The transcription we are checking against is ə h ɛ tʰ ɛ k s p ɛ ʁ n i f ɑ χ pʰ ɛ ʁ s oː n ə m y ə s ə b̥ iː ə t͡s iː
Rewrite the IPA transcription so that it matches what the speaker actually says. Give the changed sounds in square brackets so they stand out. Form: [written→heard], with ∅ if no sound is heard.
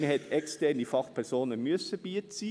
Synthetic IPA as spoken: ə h ɛ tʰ ɛ k s [p→t] ɛ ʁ n i f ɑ χ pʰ ɛ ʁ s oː n ə m y ə s ə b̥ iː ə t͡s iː